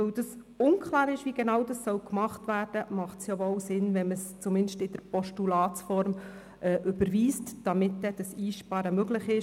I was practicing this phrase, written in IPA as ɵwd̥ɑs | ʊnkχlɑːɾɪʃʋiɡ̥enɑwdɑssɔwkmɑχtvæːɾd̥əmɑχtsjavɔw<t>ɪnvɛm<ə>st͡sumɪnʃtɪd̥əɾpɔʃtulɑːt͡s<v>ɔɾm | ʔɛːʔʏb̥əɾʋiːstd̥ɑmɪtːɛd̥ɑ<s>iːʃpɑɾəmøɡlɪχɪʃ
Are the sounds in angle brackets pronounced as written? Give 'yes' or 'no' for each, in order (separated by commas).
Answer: no, yes, no, yes